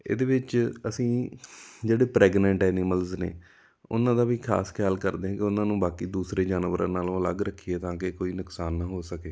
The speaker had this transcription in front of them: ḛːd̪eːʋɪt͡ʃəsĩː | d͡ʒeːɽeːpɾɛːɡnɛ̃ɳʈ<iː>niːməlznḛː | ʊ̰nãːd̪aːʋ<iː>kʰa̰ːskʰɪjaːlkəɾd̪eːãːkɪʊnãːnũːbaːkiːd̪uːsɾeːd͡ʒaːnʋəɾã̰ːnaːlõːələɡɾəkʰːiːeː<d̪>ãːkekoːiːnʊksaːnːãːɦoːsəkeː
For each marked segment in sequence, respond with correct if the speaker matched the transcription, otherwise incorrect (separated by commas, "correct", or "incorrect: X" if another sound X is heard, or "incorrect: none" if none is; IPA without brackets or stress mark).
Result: incorrect: ɛː, correct, incorrect: t̪